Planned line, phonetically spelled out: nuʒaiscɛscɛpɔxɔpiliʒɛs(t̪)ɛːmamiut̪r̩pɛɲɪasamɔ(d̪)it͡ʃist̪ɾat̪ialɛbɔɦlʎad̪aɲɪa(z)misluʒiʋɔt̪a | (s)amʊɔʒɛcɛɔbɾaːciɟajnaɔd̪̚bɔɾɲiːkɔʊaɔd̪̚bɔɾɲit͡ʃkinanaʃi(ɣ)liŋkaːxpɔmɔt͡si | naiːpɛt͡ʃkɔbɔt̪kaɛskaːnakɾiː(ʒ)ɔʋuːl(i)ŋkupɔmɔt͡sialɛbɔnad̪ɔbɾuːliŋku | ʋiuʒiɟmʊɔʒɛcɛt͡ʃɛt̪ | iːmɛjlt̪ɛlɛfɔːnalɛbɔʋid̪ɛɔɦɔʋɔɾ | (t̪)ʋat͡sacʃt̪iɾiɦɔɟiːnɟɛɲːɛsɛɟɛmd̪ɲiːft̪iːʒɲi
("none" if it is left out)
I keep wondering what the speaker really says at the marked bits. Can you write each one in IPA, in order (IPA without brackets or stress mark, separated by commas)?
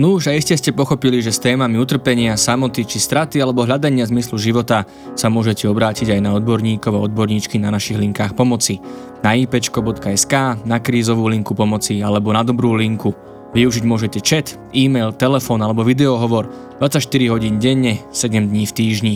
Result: t̪, t̪, z, s, ɣ, z, i, d̪